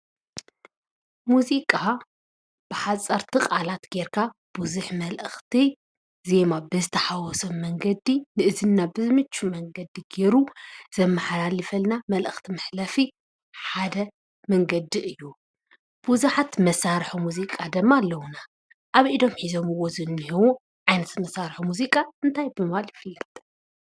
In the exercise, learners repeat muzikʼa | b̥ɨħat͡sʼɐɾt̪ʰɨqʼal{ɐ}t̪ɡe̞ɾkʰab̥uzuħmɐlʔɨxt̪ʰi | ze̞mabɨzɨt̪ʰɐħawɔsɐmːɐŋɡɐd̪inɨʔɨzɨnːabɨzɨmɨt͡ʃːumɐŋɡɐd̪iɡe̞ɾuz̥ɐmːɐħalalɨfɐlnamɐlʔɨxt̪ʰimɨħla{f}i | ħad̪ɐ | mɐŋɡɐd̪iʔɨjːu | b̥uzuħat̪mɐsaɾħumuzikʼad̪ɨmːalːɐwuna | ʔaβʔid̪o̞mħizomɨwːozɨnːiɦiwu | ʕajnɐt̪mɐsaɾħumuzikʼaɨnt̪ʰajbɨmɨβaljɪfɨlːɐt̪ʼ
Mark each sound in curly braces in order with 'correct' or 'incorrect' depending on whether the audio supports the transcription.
incorrect: a, correct

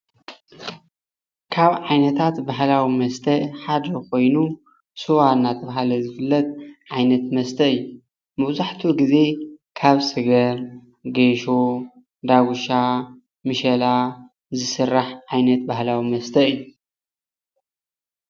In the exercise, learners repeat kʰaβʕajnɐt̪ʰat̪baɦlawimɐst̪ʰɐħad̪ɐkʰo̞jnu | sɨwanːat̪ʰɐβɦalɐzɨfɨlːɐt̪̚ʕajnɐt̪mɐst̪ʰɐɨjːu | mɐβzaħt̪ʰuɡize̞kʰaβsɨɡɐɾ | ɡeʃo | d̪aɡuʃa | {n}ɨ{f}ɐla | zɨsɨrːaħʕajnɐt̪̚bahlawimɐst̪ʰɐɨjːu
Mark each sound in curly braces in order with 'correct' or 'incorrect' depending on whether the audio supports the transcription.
incorrect: m, incorrect: ʃ

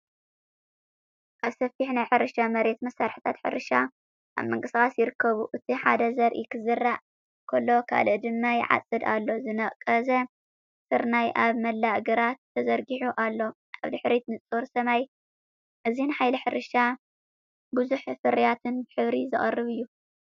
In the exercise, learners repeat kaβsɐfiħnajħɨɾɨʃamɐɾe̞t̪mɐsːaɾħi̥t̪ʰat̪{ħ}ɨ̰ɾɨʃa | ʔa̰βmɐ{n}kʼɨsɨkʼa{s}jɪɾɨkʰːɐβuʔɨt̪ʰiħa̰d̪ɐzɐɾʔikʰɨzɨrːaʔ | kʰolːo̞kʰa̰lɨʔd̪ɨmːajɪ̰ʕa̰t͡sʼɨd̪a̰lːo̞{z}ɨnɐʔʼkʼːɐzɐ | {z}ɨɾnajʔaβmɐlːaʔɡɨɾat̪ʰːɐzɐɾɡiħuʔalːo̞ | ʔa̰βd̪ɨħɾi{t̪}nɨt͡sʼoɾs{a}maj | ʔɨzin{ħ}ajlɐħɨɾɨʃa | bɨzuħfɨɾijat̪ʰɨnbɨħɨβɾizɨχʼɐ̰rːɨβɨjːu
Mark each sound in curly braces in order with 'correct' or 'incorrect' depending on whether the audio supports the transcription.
correct, incorrect: ŋ, correct, correct, incorrect: s, correct, incorrect: ɐ, correct

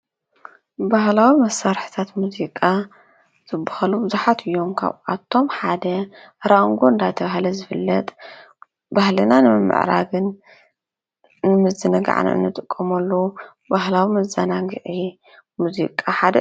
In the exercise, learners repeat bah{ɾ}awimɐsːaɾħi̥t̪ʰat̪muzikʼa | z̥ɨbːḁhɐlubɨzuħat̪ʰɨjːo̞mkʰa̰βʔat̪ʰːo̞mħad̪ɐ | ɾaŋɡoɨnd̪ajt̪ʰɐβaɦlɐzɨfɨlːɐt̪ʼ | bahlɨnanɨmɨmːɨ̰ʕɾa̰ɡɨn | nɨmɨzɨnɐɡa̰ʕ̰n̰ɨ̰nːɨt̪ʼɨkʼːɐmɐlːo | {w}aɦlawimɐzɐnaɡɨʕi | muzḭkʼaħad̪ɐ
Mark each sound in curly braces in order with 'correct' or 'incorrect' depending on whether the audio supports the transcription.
incorrect: l, incorrect: b

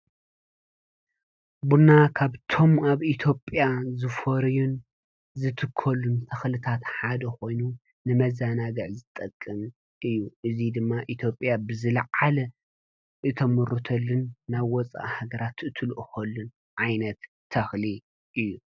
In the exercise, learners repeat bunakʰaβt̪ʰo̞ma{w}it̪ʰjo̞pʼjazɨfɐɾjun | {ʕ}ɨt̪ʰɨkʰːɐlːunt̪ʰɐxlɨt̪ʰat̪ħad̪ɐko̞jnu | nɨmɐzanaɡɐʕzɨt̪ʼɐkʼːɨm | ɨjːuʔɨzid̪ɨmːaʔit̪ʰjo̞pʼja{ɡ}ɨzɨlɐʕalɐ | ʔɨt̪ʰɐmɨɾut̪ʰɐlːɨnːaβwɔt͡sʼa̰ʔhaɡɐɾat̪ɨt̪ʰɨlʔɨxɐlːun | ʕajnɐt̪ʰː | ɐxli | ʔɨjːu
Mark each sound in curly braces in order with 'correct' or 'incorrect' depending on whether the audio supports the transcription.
incorrect: β, incorrect: z, incorrect: b

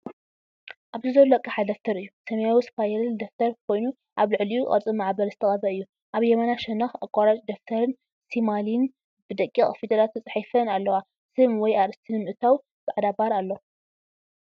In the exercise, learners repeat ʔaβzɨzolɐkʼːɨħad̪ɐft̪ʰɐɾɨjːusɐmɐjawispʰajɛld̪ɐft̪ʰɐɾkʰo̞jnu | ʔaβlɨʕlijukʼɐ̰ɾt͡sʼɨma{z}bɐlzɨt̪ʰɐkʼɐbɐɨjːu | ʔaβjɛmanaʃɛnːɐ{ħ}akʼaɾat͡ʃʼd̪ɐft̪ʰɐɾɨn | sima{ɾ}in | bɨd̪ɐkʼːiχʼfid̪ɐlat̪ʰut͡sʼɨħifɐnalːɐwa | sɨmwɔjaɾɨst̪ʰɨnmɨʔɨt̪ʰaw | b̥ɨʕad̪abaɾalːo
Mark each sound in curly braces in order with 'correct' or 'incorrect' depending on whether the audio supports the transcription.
incorrect: ʕ, incorrect: x, incorrect: l

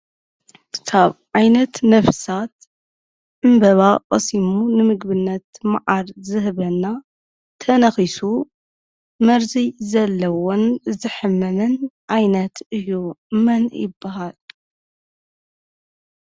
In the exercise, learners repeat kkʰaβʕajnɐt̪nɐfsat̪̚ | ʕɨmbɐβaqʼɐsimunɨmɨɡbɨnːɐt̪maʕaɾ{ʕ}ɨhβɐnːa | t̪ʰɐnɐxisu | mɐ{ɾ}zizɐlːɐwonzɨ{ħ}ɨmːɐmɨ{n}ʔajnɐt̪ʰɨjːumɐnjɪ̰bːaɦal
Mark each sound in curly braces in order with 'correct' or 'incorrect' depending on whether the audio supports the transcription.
incorrect: z, correct, correct, correct

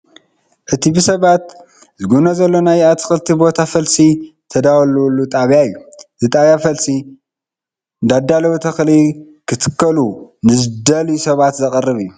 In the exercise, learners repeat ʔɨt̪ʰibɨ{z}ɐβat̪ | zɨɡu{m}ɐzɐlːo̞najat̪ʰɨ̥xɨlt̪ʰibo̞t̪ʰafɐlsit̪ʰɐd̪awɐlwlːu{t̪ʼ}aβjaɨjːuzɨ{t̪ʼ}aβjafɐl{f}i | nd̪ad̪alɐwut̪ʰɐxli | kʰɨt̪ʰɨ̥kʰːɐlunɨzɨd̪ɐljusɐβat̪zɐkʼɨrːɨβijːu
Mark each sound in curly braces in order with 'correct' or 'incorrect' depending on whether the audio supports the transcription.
incorrect: s, incorrect: n, correct, correct, incorrect: s

